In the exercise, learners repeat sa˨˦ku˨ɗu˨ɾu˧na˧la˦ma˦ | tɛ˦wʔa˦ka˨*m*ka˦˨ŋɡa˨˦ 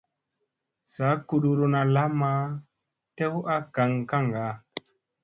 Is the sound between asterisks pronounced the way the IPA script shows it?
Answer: no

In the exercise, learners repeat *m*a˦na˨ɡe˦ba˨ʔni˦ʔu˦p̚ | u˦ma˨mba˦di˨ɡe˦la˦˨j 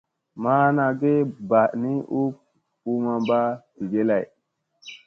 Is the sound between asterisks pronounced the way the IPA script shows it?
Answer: yes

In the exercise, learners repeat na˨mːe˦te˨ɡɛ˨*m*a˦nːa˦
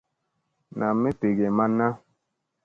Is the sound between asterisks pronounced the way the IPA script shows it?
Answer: yes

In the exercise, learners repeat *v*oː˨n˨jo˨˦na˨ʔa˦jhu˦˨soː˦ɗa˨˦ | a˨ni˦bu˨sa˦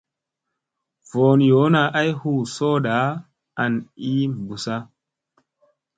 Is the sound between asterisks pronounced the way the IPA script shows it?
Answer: yes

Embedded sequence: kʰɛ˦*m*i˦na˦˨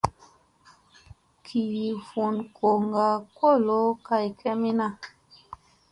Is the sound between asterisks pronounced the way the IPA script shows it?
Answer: yes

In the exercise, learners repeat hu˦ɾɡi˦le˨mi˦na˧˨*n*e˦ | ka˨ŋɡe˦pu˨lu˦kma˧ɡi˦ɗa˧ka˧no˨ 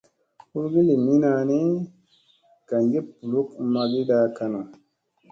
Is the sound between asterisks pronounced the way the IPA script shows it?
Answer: yes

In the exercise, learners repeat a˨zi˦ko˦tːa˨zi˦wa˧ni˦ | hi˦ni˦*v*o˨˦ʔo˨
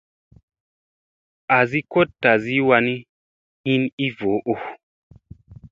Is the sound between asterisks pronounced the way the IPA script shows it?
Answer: yes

